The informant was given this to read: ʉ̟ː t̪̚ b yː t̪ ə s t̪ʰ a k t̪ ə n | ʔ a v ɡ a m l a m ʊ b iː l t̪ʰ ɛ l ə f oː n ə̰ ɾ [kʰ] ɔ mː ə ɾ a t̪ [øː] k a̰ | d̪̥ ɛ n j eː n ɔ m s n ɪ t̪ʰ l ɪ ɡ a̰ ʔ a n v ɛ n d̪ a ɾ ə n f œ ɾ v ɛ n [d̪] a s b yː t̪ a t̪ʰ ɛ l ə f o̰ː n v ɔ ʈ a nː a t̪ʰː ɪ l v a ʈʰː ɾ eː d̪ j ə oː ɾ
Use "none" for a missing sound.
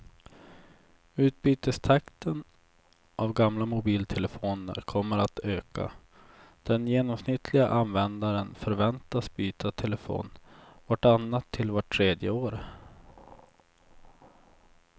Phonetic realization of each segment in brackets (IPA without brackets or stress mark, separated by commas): kʰ, øː, t̪